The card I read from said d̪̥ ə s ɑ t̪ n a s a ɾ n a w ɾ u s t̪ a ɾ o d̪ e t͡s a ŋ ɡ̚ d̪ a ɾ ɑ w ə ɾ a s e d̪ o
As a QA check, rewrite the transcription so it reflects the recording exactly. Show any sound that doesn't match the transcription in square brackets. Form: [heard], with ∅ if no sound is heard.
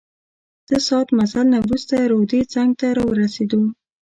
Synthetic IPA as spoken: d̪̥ ə s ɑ t̪ [m] a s a [l] n a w ɾ u s t̪ a ɾ o d̪ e t͡s a ŋ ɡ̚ [t̪] a ɾ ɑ w ə ɾ a s e d̪ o